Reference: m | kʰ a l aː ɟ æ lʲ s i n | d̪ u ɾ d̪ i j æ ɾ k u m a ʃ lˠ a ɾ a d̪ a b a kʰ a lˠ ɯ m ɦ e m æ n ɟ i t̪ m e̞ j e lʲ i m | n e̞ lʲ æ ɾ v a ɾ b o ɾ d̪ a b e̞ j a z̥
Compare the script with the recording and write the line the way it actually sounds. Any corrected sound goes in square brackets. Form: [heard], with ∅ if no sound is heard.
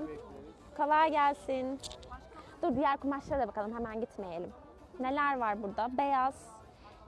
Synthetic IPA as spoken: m | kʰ a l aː ɟ æ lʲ s i n | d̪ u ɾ d̪ i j æ ɾ k u m a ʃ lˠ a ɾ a d̪ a b a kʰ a lˠ ɯ m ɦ e m æ n ɟ i t̪ m e̞ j e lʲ i m | n e̞ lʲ æ ɾ v a ɾ b [u] ɾ d̪ a b e̞ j a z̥